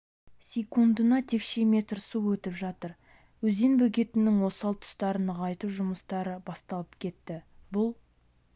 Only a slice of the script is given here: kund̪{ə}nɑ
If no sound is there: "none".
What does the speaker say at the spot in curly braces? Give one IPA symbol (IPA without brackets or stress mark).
ə